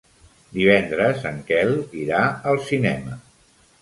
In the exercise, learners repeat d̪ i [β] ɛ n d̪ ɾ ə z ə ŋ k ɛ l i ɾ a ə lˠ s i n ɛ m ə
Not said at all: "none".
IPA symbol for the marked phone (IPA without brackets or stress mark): β